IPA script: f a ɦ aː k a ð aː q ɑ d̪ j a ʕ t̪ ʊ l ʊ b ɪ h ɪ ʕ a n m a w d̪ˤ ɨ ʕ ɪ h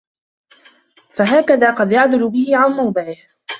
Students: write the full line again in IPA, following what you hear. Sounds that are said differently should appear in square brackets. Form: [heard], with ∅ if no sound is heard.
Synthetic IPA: f a ɦ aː k a ð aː q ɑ d̪ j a ʕ [d̪] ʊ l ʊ b ɪ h ɪ ʕ a n m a w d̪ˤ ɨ ʕ ɪ h